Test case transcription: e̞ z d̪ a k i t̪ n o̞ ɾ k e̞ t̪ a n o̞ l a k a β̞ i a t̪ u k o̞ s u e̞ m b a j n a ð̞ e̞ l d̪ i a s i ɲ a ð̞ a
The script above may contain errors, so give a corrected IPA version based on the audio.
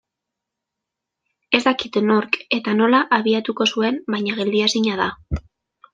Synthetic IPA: e̞ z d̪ a k i t̪ n o̞ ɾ k e̞ t̪ a n o̞ l a ʔ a β̞ i a t̪ u k o̞ s u e̞ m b a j ɲ a ɣ̞ e̞ l d̪ i a s i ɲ a ð̞ a